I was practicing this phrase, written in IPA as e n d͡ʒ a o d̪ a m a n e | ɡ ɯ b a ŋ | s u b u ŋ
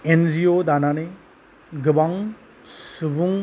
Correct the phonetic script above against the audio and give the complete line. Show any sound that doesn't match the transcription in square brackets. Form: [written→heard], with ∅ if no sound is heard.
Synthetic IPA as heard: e n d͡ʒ [a→i] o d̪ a [m→n] a n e | ɡ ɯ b a ŋ | s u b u ŋ